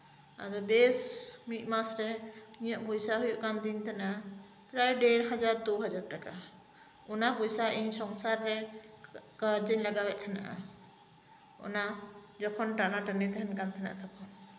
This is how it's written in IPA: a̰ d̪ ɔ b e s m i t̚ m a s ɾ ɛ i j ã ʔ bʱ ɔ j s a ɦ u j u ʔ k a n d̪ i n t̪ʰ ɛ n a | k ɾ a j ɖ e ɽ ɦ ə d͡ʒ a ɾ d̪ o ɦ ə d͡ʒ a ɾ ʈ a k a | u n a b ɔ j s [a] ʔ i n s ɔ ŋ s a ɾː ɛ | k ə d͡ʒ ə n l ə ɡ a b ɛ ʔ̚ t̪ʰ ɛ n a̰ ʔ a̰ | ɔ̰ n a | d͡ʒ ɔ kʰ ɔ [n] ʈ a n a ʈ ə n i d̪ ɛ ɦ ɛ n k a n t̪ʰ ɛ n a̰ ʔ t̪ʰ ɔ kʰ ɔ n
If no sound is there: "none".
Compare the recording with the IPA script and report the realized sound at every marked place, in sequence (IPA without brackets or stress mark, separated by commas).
a, n